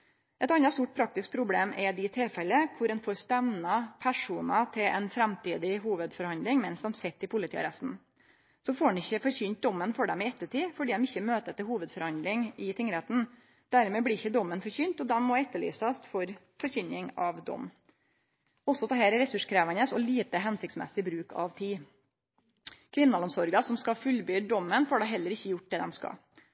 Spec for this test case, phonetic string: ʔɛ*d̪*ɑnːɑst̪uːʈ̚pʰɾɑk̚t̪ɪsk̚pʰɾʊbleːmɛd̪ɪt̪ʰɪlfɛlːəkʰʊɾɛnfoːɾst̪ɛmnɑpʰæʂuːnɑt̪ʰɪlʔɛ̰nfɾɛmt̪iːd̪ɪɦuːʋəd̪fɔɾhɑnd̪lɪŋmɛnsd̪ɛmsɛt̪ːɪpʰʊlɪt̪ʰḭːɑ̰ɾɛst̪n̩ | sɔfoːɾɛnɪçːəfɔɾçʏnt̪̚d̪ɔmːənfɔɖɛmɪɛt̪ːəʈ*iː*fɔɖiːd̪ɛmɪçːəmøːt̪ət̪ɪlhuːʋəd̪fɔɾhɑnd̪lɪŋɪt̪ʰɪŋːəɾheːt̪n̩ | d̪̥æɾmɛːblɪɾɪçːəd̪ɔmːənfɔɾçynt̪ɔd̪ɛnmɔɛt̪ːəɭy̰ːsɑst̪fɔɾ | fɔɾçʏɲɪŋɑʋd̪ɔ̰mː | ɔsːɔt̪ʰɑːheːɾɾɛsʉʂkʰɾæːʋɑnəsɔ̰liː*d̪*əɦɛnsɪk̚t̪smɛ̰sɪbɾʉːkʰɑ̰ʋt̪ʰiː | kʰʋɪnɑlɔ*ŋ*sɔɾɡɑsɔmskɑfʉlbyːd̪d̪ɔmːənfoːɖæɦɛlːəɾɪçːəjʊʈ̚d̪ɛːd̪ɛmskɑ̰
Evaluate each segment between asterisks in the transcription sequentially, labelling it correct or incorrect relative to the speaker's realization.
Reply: incorrect, correct, incorrect, incorrect

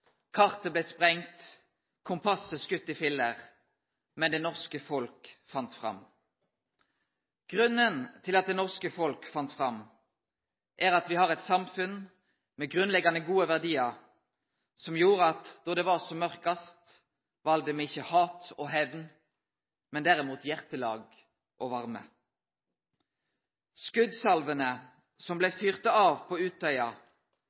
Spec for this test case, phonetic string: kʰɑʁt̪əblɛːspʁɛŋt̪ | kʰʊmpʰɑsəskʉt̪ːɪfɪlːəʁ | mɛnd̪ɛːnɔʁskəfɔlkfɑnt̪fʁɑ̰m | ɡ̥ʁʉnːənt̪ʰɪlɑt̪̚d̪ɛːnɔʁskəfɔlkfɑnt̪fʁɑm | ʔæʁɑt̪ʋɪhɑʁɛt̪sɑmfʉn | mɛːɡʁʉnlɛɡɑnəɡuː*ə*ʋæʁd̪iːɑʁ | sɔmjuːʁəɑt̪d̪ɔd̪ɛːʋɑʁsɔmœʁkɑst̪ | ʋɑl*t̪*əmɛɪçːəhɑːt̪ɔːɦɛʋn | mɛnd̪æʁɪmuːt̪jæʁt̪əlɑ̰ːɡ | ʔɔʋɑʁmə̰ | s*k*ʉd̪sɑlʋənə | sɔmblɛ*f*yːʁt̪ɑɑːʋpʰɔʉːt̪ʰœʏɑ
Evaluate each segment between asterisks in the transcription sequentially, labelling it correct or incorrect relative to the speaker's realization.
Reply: correct, incorrect, correct, correct

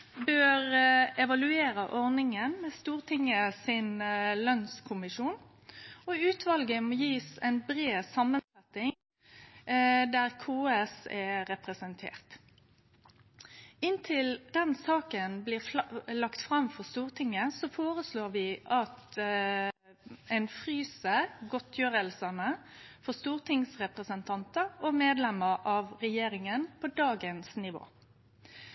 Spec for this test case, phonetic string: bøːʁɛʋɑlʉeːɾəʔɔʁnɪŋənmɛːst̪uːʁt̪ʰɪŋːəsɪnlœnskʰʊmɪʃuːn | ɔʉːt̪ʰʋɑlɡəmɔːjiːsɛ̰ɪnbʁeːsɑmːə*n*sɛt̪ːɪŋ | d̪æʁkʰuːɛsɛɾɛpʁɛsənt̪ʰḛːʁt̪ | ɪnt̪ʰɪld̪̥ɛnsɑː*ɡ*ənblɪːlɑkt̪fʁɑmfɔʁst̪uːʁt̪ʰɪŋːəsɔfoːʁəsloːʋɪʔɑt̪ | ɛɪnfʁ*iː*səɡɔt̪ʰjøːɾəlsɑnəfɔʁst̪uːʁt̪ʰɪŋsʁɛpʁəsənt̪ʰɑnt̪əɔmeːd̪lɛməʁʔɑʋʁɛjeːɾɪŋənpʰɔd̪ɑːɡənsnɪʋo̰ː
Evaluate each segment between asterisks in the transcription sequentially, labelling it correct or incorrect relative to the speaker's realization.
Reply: correct, incorrect, incorrect

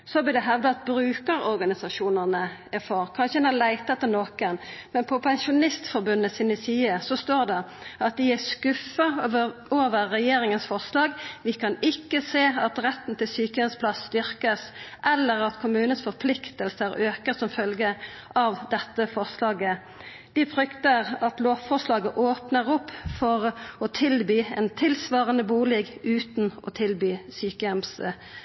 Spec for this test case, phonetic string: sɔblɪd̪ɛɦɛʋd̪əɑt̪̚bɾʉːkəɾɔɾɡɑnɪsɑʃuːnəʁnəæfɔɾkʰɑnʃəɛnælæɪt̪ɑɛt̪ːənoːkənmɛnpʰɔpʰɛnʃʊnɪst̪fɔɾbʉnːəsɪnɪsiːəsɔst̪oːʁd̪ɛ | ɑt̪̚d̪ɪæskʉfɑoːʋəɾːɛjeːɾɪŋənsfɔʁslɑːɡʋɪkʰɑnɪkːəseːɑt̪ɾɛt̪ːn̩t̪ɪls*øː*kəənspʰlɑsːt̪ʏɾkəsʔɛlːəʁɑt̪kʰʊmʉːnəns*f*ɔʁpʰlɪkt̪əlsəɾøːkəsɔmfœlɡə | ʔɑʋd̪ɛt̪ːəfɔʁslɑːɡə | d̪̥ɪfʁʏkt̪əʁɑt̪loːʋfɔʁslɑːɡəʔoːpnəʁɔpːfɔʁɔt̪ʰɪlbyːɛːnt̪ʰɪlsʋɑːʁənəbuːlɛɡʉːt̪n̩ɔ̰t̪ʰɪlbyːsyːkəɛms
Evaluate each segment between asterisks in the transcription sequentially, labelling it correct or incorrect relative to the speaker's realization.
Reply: incorrect, correct

